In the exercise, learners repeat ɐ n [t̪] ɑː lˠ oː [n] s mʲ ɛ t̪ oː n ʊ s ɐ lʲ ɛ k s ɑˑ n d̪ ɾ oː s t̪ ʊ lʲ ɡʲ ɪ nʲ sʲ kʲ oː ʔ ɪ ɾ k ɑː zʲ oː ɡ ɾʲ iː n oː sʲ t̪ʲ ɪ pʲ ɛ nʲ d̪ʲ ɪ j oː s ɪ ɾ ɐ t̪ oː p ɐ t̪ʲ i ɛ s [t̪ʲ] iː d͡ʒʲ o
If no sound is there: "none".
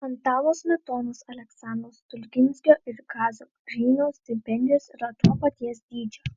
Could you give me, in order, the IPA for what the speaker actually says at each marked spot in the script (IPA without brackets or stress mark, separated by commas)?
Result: t̪, none, d̪ʲ